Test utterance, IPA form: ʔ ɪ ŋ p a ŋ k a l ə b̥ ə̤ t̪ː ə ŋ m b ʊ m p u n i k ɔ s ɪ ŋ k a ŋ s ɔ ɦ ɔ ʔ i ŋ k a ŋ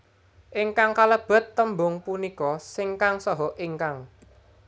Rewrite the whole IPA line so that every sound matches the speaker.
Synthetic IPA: ʔ ɪ ŋ k a ŋ k a l ə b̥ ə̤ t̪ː ə m b ʊ ŋ p u n i k ɔ s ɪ ŋ k a ŋ s ɔ ɦ ɔ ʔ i ŋ k a ŋ

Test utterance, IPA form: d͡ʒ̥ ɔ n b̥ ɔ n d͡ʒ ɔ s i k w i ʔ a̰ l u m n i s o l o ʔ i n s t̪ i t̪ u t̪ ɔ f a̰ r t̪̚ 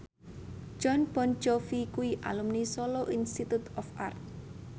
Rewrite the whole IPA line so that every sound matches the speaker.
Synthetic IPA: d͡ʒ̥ ɔ n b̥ ɔ n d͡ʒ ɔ f i k u i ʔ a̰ l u m n i s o l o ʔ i n s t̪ i t̪ u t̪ ɔ f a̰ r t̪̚

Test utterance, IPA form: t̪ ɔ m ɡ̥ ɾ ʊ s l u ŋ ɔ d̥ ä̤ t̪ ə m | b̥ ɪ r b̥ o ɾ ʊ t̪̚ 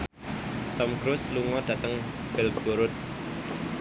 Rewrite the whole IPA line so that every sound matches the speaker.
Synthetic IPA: t̪ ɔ m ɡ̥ ɾ ʊ s l u ŋ ɔ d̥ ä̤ t̪ ə ŋ | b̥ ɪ l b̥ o ɾ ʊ t̪̚

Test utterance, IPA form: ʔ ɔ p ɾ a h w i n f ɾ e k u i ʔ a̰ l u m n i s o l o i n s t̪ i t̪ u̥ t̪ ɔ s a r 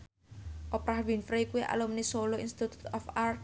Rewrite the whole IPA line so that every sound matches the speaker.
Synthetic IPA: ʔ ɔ p ɾ a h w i n f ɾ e k u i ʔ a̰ l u m n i s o l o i n s t̪ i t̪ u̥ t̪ ɔ f a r

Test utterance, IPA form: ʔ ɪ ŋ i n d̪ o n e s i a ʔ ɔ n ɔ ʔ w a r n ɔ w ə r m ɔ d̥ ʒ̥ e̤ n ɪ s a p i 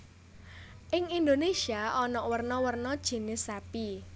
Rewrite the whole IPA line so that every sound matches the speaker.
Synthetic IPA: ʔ ɪ ŋ i n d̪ o n e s i a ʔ ɔ n ɔ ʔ w ə r n ɔ w ə r n ɔ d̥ ʒ̥ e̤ n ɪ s a p i

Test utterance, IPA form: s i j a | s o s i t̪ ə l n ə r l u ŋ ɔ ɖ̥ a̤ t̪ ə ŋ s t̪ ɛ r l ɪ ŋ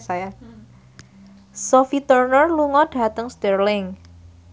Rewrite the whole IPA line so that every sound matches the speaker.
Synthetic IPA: s a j a | s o f i t̪ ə r n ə r l u ŋ ɔ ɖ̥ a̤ t̪ ə ŋ s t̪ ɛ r l ɪ ŋ

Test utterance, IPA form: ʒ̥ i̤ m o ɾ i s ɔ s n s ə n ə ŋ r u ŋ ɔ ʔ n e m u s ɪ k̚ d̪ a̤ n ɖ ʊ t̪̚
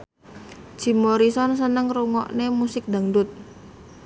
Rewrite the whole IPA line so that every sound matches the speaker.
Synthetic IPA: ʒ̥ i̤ m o ɾ i s ɔ n s ə n ə ŋ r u ŋ ɔ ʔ n e m u s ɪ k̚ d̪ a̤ ŋ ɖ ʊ t̪̚

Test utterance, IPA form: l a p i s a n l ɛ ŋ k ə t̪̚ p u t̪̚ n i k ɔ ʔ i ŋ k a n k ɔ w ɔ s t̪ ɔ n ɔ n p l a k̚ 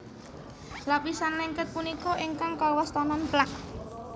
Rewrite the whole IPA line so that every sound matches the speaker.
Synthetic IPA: l a p i s a n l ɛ ŋ k ə t̪̚ p u n i k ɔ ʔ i ŋ k a ŋ k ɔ w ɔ s t̪ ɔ n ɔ n p l a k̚

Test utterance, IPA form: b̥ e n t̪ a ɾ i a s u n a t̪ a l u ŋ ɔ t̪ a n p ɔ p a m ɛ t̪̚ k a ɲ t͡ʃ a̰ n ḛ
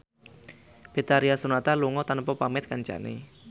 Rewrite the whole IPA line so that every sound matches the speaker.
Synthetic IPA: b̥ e t̪ a ɾ i a s u n a t̪ a l u ŋ ɔ t̪ a n p ɔ p a m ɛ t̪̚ k a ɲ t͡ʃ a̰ n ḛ

